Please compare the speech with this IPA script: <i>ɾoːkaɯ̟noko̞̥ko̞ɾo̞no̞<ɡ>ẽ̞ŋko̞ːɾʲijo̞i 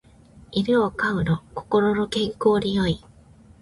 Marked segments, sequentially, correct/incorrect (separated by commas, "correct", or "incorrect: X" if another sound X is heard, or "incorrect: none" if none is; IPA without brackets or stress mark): correct, incorrect: k